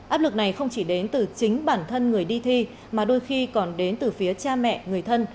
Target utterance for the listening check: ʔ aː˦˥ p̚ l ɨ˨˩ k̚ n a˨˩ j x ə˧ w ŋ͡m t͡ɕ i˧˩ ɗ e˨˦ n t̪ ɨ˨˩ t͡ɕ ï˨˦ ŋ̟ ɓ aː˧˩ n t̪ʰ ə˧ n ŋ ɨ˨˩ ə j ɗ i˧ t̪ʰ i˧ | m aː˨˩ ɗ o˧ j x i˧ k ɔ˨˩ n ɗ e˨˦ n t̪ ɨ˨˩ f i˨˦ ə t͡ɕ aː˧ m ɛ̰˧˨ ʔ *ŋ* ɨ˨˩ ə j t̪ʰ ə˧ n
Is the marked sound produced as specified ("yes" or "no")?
yes